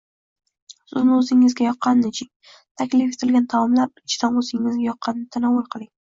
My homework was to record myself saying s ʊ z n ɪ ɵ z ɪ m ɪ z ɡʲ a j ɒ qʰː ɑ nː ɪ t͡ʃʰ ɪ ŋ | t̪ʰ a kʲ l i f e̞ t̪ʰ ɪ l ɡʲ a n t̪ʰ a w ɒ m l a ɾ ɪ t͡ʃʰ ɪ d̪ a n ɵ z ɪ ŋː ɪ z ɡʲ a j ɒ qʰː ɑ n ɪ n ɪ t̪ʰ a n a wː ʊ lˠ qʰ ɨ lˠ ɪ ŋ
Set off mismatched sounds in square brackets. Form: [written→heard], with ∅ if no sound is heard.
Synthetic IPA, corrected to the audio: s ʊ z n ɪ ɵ z ɪ [m→ŋ] ɪ z ɡʲ a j ɒ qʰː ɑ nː ɪ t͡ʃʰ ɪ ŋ | t̪ʰ a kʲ l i f e̞ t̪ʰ ɪ l ɡʲ a n t̪ʰ a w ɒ m l a ɾ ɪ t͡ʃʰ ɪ d̪ a n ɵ z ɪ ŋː ɪ z ɡʲ a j ɒ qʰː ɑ n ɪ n ɪ t̪ʰ a n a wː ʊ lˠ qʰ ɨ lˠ ɪ ŋ